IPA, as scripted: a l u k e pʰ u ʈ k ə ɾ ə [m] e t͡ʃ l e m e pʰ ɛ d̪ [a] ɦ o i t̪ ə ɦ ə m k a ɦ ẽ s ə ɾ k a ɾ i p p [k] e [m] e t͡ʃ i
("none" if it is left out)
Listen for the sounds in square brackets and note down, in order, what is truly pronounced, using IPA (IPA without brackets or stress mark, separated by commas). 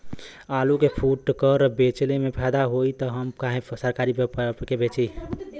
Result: b, a, k, b